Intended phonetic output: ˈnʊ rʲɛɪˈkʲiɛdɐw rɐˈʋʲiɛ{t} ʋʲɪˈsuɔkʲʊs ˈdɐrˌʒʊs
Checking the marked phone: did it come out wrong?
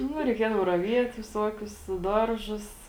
no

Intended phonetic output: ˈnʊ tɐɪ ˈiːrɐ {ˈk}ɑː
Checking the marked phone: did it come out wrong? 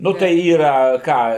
no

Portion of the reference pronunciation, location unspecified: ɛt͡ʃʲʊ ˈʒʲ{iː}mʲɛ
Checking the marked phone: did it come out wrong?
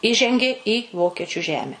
yes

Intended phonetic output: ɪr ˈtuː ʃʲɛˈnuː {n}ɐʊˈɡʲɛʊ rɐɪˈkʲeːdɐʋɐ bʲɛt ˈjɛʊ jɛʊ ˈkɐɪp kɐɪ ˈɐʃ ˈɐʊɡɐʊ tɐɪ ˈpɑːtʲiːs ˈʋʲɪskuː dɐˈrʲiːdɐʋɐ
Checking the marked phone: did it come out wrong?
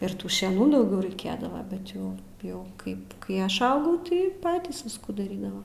yes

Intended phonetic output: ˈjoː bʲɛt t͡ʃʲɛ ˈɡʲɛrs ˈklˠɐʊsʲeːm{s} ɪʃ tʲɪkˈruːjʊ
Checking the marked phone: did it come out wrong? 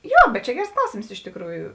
no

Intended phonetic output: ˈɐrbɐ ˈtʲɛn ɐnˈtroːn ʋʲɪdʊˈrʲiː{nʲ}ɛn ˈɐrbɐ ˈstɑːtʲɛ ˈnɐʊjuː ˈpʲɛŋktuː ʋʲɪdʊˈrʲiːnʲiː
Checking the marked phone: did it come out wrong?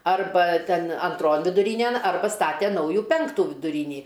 no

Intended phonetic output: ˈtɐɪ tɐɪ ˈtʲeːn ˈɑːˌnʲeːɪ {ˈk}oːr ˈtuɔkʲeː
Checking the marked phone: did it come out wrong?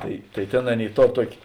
yes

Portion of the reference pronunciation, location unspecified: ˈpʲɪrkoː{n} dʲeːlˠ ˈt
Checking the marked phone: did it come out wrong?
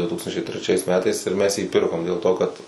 yes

